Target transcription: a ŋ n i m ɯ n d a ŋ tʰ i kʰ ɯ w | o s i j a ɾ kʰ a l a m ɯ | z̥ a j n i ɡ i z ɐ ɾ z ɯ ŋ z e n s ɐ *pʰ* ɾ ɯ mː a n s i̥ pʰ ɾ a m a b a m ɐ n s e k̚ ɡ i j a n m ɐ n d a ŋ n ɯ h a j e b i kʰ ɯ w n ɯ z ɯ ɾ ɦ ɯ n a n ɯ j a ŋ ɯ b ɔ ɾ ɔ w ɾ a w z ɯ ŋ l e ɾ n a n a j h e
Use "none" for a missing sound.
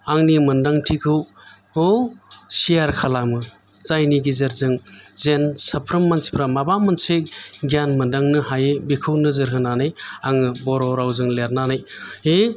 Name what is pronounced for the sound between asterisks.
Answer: pʰ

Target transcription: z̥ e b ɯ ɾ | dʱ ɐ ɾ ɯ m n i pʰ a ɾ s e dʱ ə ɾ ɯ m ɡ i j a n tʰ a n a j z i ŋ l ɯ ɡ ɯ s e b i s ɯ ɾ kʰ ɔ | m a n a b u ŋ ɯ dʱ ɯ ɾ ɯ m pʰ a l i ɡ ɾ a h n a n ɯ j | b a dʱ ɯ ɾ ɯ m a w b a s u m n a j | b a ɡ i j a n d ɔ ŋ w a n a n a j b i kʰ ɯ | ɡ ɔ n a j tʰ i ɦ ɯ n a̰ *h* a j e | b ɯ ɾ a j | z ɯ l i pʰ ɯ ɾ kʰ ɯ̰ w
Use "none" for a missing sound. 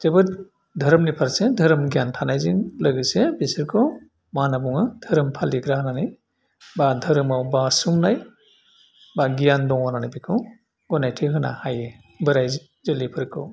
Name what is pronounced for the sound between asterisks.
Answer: h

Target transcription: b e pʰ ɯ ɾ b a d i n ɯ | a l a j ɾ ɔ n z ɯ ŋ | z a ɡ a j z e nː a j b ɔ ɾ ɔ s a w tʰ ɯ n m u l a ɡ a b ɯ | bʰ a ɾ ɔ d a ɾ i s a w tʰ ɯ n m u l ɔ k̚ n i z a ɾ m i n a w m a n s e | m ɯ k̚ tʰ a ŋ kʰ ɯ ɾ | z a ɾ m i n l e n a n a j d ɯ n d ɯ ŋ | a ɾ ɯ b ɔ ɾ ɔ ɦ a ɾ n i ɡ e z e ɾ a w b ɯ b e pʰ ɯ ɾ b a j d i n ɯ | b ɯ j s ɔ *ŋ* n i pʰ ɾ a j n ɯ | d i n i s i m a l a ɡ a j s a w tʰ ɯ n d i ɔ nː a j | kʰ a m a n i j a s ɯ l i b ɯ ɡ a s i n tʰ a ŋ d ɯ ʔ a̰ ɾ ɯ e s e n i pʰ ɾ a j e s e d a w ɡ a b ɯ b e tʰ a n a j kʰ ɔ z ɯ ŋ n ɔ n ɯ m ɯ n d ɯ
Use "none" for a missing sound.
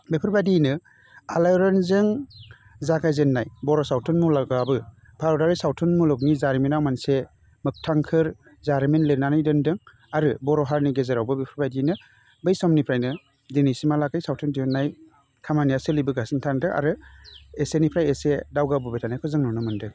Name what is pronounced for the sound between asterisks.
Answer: m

